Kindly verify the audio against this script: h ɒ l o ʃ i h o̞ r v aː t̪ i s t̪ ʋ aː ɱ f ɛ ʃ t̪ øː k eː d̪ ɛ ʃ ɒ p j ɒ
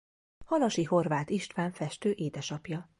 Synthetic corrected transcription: h ɒ l ɒ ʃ i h o̞ r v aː t̪ i ʃ t̪ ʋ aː ɱ f ɛ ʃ t̪ øː ʔ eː d̪ ɛ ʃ ɒ p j ɒ